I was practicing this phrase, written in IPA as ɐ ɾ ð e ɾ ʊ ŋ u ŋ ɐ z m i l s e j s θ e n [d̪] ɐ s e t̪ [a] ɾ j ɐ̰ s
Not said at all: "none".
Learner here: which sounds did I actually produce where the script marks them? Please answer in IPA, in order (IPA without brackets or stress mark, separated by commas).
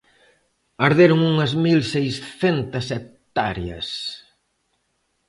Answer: t̪, a